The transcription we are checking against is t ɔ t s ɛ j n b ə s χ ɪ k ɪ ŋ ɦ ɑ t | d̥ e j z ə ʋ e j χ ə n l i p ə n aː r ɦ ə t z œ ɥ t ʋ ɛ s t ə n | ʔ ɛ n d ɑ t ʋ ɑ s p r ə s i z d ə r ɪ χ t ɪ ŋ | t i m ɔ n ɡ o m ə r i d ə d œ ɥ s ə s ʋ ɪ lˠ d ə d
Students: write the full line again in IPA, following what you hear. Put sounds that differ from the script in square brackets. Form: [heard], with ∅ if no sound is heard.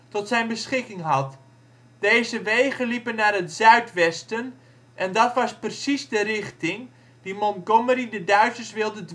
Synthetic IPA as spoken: t ɔ t s ɛ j n b ə s χ ɪ k ɪ ŋ ɦ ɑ t | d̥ e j z ə ʋ e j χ ə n l i p ə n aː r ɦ ə t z œ ɥ t ʋ ɛ s t ə n | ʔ ɛ n d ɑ t ʋ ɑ s p r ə s i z d ə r ɪ χ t ɪ ŋ | [d] i m ɔ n ɡ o m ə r i d ə d œ ɥ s ə s ʋ ɪ lˠ d ə d